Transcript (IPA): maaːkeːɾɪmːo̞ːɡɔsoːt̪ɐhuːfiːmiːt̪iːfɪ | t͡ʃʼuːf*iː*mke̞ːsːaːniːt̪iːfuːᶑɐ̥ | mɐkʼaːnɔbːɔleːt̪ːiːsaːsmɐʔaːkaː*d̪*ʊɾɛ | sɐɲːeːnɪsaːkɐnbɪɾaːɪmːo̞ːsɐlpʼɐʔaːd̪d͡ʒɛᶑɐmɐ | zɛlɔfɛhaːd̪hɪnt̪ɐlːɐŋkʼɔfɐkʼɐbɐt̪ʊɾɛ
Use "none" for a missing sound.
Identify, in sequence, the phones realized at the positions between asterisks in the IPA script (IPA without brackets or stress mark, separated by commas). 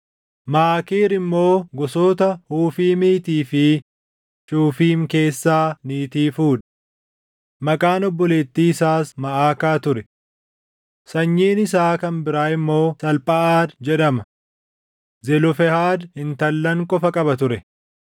iː, t̪